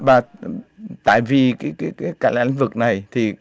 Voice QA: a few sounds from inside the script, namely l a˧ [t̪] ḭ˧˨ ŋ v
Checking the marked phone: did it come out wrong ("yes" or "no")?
yes